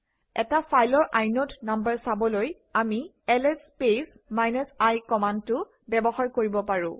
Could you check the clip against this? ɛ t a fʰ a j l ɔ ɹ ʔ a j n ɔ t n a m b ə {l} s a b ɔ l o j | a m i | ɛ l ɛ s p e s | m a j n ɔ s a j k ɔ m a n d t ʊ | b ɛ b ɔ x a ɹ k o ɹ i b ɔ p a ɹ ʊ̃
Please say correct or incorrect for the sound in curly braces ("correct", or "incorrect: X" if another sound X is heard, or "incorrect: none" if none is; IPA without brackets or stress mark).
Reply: incorrect: ɹ